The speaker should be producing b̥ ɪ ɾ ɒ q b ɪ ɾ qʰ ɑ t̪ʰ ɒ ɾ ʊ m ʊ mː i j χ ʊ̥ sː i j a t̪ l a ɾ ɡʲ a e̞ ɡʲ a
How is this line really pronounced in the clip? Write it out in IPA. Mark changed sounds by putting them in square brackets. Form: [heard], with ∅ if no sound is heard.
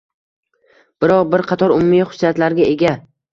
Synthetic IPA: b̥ ɪ ɾ ɒ q b ɪ ɾ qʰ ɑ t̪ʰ ɒ ɾ ʊ m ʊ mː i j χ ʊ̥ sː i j a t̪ l a ɾ ɡʲ a e̞ ɡʲ a